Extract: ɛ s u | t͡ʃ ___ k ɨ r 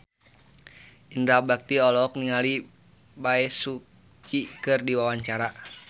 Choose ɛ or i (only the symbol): i